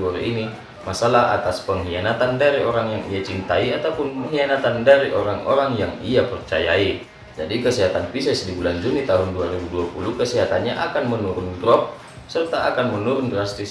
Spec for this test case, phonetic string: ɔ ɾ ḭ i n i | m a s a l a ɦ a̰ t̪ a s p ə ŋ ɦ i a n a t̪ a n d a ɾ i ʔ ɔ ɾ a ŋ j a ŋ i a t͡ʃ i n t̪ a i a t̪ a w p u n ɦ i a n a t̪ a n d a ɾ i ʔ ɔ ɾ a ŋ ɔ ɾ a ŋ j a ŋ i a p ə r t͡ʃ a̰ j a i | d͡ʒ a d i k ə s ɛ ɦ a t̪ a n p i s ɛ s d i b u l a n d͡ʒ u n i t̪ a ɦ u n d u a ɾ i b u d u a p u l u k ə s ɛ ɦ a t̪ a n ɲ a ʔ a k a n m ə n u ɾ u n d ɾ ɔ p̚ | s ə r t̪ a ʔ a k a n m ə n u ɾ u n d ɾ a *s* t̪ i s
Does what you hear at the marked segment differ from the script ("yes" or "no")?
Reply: no